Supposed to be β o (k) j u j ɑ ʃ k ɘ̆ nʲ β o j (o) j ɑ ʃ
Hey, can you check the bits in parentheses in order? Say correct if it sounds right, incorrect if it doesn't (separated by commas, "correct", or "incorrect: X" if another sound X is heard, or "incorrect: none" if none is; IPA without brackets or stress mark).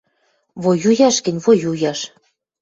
incorrect: none, incorrect: u